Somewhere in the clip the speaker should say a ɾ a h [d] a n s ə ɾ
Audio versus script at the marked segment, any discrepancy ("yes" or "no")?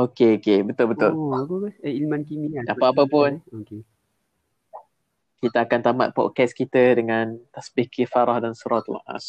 no